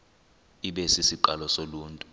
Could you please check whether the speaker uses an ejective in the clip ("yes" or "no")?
yes